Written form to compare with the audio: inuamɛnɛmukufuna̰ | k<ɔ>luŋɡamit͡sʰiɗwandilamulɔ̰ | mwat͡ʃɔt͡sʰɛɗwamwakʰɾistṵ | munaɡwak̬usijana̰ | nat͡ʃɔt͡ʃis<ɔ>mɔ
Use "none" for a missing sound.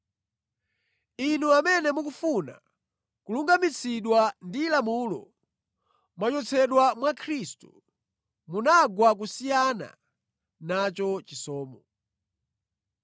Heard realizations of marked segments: u, ɔː

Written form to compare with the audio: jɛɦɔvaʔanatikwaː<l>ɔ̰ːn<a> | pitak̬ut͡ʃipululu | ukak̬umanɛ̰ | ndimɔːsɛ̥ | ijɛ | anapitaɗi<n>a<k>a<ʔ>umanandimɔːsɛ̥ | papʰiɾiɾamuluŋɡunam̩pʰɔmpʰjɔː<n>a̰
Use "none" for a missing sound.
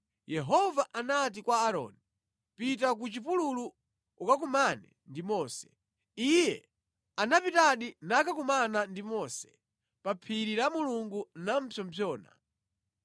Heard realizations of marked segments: ɾ, i, n, k, k, n

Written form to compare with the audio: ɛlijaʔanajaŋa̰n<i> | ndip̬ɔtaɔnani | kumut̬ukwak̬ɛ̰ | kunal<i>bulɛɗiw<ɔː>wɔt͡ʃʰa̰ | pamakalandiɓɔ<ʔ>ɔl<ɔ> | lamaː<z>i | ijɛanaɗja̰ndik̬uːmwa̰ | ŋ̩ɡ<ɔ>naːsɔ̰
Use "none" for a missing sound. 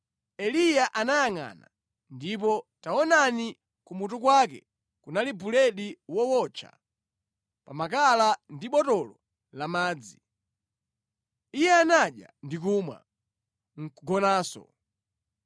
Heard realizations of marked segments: a, i, ɔ, t, ɔ, d͡z, ɔ

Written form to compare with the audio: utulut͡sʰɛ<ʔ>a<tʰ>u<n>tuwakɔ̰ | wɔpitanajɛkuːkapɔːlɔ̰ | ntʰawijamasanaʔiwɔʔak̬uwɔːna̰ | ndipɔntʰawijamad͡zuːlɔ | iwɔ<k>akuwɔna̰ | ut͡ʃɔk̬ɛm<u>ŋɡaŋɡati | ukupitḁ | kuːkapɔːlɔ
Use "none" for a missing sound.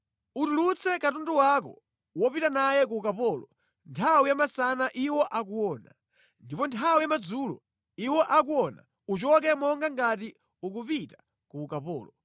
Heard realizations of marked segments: k, t, n, ʔ, ɔ

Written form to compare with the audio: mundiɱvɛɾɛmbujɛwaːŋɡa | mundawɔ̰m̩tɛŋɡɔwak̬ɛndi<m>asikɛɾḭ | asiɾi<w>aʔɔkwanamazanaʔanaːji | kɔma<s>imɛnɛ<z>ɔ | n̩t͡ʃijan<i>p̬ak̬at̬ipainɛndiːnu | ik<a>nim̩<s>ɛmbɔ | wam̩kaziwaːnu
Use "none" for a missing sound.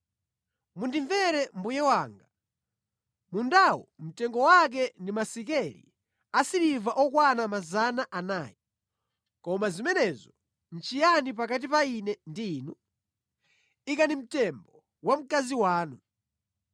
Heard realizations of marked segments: m, v, z, z, i, a, t

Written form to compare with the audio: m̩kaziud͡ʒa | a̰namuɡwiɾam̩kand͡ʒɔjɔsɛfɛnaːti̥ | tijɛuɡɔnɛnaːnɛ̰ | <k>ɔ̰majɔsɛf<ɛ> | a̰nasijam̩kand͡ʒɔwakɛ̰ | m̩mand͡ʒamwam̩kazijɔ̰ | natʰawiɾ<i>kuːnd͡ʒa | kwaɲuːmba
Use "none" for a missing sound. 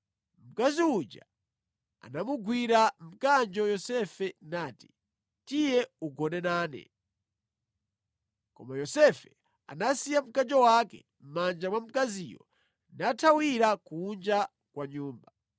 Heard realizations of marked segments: k, ɛ, a

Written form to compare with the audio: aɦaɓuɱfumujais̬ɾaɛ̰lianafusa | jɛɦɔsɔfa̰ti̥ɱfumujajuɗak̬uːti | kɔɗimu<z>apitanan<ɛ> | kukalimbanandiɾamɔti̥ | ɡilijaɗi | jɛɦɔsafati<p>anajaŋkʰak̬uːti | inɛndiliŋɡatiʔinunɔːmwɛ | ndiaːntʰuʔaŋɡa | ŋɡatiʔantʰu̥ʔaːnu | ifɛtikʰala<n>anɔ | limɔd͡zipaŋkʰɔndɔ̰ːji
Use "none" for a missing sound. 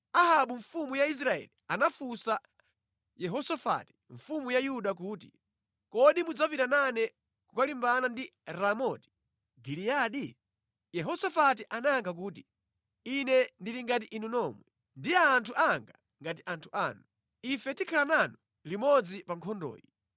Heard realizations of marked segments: d͡z, ɛ, ʔ, n

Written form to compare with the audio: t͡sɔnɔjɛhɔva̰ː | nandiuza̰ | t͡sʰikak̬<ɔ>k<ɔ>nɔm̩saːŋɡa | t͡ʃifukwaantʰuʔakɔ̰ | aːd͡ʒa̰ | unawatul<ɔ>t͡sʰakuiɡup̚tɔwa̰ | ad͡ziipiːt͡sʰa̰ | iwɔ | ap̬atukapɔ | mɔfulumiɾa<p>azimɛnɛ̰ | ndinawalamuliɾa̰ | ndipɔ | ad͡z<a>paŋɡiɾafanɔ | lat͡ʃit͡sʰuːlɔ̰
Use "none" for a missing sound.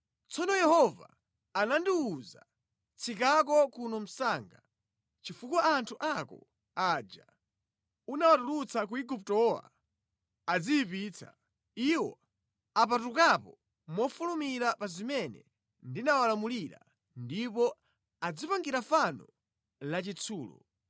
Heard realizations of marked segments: ɔ, u, u, p, i

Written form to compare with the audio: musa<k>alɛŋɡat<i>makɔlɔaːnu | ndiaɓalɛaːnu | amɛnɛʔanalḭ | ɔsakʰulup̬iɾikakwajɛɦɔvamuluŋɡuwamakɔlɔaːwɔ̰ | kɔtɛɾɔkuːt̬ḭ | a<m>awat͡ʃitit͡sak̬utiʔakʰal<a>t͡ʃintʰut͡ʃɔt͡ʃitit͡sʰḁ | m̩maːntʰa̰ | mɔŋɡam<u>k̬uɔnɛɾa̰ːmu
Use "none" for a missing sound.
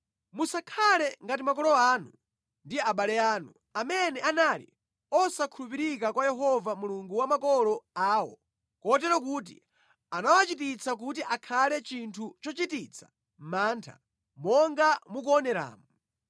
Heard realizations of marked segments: kʰ, i, n, ɛ, u

